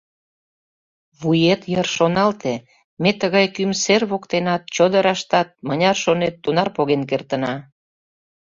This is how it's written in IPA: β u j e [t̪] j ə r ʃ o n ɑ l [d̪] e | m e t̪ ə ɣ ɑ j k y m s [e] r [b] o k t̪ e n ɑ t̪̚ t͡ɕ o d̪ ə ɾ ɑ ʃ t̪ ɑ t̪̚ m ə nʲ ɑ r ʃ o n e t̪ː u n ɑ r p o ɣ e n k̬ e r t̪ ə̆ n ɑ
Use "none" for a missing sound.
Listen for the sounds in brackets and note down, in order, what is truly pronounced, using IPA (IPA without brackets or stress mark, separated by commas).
t̪, t̪, e, β